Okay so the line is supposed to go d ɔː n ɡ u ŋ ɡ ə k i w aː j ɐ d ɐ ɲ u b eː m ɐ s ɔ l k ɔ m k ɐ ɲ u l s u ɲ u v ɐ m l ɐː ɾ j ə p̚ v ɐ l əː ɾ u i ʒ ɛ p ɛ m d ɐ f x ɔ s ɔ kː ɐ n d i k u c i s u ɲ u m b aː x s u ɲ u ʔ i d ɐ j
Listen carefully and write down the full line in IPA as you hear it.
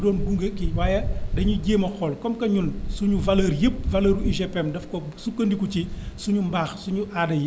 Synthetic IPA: d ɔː n ɡ u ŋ ɡ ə k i w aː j ɐ d ɐ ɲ u ɟ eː m ɐ x ɔ l k ɔ m k ɐ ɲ u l s u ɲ u v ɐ l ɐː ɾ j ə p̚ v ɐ l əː ɾ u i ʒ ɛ p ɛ m d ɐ f k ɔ s u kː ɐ n d i k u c i s u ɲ u m b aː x s u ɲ u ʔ a d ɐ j

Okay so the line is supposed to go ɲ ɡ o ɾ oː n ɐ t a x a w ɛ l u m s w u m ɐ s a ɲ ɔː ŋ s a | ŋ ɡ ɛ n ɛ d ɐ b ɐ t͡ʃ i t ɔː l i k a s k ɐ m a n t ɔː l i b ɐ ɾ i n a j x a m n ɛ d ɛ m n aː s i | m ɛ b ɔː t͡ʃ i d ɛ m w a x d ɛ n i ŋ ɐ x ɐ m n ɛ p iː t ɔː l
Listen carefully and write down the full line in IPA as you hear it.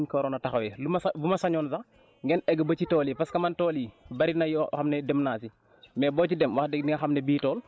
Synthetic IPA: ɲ k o ɾ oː n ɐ t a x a w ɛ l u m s b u m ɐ s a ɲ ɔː n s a | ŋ ɡ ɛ n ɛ ɡ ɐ b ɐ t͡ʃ i t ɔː l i p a s k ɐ m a n t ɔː l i b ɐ ɾ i n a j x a m n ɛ d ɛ m n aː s i | m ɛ b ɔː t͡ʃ i d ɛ m w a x d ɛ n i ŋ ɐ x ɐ m n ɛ b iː t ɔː l

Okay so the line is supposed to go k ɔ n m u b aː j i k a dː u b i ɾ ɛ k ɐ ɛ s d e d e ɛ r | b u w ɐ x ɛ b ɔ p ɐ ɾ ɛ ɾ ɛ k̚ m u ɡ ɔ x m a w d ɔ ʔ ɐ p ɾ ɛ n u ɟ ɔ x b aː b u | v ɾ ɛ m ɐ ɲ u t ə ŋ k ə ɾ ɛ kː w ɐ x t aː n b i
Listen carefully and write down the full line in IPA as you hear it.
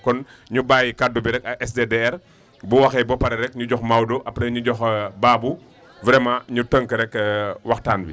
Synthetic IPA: k ɔ n ɲ u b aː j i k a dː u b i ɾ ɛ k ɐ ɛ s d e d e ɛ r | b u w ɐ x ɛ b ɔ p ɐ ɾ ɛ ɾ ɛ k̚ ɲ u ɟ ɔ x m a w d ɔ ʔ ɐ p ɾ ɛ ɲ u ɟ ɔ x b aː b u | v ɾ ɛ m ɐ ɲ u t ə ŋ k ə ɾ ɛ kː w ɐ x t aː n b i

